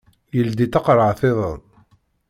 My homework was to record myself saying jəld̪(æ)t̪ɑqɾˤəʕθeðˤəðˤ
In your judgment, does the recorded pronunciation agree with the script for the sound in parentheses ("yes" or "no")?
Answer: no